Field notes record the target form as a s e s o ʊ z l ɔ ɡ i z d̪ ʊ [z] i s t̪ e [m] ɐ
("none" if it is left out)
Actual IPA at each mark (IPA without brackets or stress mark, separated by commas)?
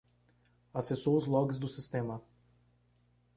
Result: s, m